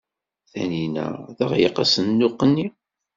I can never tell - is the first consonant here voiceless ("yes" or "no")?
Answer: yes